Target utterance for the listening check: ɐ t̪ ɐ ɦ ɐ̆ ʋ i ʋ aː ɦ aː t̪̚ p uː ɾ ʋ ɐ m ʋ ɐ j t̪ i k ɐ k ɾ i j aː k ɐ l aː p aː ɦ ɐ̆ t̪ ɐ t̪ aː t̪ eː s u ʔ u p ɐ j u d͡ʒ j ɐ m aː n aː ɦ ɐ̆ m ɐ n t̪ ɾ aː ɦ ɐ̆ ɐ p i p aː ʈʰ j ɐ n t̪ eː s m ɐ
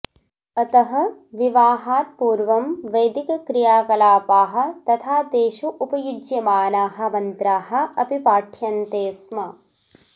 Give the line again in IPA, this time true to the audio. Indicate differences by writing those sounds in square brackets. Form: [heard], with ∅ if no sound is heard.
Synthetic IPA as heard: ɐ t̪ ɐ ɦ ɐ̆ ʋ i ʋ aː ɦ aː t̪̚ p uː ɾ ʋ ɐ m ʋ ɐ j [d̪] i k ɐ k ɾ i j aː k ɐ l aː p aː ɦ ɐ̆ t̪ ɐ [t̪ʰ] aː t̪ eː [ʃ] u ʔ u p ɐ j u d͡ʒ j ɐ m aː n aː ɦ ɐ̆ m ɐ n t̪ ɾ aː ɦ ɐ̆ ɐ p i p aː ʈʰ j ɐ n t̪ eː s m ɐ